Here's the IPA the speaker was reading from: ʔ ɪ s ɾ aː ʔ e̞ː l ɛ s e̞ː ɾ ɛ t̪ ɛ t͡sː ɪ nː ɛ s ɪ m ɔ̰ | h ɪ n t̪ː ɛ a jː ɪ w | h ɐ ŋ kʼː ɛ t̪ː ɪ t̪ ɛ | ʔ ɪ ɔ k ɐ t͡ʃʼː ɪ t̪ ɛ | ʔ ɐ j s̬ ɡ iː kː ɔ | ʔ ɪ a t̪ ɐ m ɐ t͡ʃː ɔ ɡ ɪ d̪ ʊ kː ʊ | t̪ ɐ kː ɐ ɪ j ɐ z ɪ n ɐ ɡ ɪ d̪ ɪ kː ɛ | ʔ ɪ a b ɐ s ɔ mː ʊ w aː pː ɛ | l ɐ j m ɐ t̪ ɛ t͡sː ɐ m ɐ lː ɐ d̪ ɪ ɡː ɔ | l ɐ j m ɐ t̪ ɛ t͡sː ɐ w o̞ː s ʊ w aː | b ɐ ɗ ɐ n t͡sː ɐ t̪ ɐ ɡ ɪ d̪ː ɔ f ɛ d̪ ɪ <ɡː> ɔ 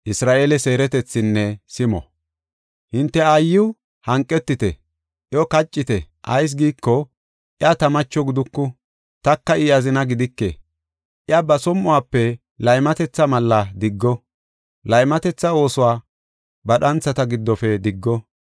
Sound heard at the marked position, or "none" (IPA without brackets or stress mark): ɡː